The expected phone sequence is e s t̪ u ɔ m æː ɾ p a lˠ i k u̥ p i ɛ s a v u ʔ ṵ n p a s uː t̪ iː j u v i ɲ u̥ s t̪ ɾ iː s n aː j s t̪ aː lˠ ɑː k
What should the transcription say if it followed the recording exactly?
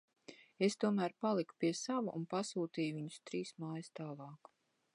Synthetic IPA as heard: e s t̪ u ɔ m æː ɾ p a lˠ i k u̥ p i ɛ s a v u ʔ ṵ n p a s uː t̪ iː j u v i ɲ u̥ s t̪ ɾ iː s m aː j s t̪ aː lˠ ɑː k